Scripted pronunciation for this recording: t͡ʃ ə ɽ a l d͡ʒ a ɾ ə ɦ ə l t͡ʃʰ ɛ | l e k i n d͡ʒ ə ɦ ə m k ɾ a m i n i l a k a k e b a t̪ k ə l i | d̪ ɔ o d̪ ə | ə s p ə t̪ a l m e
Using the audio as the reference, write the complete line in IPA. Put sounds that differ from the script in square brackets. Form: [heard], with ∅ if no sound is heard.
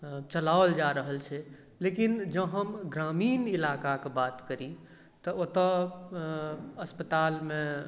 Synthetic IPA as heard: t͡ʃ ə [l] a l d͡ʒ a ɾ ə ɦ ə l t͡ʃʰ ɛ | l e k i n d͡ʒ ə ɦ ə m [ɡ] ɾ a m i n i l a k a k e b a t̪ k ə [ɾ] i | [t̪] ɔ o [t̪] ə | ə s p ə t̪ a l m e